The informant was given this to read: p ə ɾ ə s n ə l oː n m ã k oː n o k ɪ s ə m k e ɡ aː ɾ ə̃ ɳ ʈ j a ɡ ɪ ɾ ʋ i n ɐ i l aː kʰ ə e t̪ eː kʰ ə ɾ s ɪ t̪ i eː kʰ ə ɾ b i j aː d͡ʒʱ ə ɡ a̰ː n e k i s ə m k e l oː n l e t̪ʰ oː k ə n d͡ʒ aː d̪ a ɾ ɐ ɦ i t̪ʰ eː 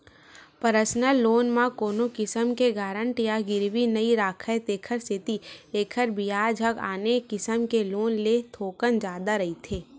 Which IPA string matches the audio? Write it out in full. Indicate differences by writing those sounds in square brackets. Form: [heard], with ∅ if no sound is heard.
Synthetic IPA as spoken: p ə ɾ ə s n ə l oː n m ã k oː n o k ɪ s ə m k e ɡ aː ɾ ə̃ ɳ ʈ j a ɡ ɪ ɾ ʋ i n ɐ i [ɾ] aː kʰ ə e t̪ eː kʰ ə ɾ s ɪ t̪ i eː kʰ ə ɾ b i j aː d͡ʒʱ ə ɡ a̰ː n e k [ɪ] s ə m k e l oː n l e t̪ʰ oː k ə n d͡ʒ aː d̪ a ɾ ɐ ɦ i t̪ʰ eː